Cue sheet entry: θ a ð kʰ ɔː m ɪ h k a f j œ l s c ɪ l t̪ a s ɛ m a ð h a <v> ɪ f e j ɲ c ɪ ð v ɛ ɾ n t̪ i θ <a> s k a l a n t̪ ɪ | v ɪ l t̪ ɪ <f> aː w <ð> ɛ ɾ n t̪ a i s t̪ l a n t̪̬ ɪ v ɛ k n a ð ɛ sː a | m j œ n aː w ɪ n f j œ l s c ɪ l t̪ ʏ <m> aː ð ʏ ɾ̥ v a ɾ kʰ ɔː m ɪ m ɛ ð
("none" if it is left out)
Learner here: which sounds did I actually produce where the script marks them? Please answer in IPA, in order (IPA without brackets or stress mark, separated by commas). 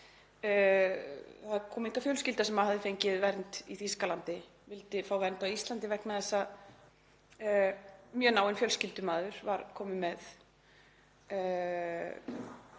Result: ð, i, f, v, m